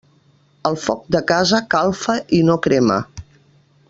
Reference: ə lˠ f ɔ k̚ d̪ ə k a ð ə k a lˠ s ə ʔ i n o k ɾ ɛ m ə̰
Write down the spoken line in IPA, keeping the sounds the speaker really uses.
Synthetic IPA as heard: ə lˠ f ɔ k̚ d̪ ə k a z ə k a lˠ f ə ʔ i n o k ɾ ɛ m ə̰